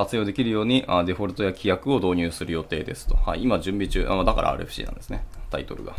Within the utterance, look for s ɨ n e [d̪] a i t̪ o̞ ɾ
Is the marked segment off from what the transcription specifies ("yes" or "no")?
yes